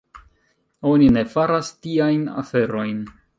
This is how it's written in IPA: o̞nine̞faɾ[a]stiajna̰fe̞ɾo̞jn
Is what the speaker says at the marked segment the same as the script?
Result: yes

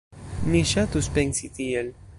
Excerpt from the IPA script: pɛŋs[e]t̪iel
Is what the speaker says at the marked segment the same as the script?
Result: no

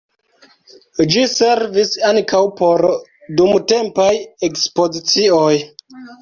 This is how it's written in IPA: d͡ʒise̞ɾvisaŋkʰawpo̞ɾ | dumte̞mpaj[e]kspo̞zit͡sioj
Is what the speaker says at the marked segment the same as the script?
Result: yes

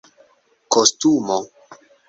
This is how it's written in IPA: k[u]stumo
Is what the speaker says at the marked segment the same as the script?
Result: no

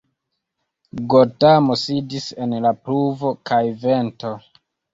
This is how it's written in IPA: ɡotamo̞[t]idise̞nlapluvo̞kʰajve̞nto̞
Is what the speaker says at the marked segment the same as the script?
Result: no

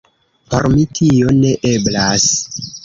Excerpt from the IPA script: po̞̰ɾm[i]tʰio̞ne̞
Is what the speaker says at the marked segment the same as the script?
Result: yes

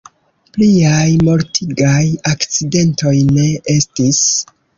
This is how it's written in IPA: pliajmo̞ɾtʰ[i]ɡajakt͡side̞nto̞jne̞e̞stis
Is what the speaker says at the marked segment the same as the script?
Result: yes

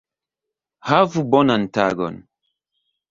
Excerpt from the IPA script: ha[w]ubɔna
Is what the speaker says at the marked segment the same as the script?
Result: no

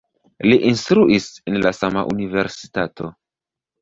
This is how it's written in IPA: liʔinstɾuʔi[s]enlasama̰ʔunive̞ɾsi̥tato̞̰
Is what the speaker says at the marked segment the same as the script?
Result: yes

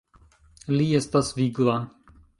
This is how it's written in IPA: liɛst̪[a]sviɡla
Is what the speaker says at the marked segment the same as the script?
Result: yes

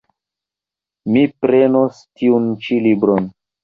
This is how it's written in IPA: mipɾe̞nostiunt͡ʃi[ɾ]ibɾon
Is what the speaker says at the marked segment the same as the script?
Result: no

